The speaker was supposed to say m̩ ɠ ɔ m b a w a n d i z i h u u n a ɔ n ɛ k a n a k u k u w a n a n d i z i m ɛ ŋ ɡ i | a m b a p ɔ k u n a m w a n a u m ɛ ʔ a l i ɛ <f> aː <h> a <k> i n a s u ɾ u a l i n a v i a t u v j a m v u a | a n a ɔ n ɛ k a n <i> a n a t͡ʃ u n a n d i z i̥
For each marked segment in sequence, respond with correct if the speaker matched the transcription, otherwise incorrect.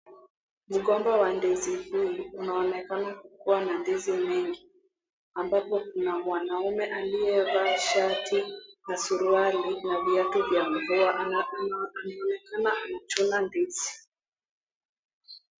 incorrect: v, incorrect: ʃ, incorrect: t, incorrect: a

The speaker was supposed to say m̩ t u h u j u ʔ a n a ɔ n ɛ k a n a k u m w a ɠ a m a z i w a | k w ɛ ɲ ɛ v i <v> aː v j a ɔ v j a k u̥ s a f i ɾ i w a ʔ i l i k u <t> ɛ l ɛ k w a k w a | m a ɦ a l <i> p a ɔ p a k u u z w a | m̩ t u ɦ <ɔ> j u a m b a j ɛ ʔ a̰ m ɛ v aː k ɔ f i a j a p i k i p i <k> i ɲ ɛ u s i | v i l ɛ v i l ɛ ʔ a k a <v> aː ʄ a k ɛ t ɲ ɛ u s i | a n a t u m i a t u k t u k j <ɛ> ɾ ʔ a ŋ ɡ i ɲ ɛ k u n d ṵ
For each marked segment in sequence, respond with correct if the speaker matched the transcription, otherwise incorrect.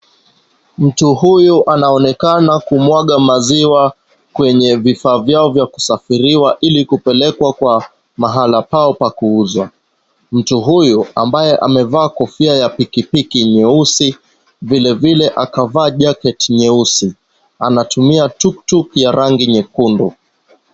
incorrect: f, incorrect: p, incorrect: a, incorrect: u, correct, correct, incorrect: a

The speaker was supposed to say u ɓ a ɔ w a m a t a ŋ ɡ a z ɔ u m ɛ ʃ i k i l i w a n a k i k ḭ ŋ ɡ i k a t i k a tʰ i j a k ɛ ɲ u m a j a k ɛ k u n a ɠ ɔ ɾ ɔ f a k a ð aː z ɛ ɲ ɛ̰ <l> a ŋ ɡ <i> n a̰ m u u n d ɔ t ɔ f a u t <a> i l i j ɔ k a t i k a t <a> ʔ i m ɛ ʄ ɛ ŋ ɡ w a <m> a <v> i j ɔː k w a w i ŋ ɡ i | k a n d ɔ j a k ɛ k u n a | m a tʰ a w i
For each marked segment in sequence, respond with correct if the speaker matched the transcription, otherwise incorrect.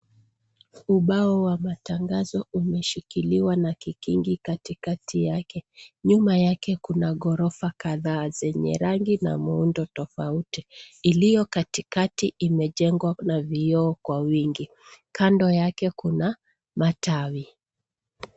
incorrect: ɾ, correct, incorrect: i, incorrect: i, incorrect: n, correct

